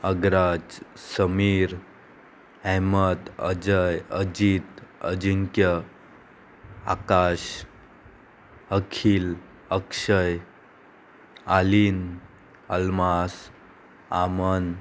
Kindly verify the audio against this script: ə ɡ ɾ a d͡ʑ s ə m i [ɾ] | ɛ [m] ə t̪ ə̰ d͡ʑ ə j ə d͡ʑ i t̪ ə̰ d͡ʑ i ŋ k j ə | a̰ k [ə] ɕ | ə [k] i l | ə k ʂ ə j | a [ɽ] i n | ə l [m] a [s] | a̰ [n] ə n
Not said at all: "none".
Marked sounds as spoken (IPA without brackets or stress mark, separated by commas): ɾ, m, a, kʰ, l, m, s, m